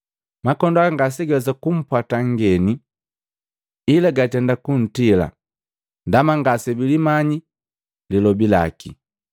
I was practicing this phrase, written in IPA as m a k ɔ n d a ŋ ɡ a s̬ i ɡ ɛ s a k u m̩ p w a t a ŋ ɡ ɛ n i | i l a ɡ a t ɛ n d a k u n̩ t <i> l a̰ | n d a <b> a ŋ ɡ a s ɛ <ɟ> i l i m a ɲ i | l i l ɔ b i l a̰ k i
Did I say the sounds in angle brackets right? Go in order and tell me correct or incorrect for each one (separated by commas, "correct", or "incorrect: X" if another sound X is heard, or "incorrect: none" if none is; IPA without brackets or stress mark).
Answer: correct, incorrect: m, incorrect: b